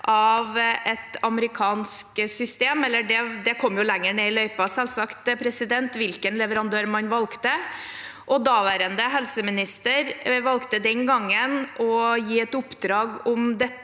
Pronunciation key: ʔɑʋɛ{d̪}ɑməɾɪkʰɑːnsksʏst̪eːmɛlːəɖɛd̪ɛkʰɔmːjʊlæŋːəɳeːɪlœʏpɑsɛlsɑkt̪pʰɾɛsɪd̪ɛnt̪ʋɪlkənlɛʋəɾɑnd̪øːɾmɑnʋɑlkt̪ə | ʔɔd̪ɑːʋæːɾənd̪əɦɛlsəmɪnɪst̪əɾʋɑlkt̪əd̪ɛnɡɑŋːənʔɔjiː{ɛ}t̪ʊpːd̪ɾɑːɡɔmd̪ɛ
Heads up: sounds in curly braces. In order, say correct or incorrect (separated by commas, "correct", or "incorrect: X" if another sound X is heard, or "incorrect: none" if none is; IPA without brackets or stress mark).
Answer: incorrect: t̪, correct